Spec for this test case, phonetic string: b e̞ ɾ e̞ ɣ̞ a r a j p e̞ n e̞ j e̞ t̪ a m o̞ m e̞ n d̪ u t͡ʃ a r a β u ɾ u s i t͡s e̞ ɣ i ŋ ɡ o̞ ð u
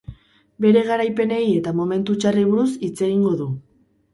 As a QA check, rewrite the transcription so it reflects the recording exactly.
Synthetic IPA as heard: b e̞ ɾ e̞ ɣ̞ a ɾ a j p e̞ n e̞ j e̞ t̪ a m o̞ m e̞ n t̪ u t͡ʃ a r i β u ɾ u s i t͡s e̞ ɣ i ŋ ɡ o̞ ð u